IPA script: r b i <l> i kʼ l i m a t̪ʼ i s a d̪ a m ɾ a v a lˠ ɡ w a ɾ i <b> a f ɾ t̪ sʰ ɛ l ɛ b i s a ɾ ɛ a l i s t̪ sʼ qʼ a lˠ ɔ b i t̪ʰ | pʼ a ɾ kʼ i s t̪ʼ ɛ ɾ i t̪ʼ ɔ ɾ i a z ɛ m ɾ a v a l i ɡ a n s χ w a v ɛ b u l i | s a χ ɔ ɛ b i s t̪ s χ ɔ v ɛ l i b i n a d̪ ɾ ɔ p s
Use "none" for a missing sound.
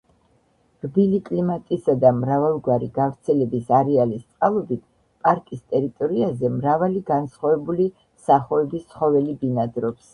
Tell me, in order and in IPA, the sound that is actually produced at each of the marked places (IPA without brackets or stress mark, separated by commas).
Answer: l, ɡ